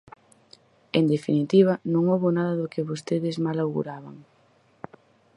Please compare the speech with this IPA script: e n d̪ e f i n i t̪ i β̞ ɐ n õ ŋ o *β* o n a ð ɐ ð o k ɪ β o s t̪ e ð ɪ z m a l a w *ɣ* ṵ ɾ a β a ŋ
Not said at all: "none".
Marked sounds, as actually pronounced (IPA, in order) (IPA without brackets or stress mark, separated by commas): β, ɣ